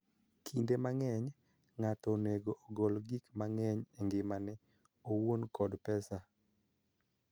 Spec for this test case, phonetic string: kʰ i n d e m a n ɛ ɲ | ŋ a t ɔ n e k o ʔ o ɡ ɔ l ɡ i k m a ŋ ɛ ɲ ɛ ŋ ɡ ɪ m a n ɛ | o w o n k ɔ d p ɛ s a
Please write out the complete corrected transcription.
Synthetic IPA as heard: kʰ i n d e m a ŋ ɛ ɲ | ŋ a t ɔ n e ɡ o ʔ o ɡ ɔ l ɡ i k m a ŋ ɛ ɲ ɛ ŋ ɡ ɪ m a n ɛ | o w o n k ɔ d p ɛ s a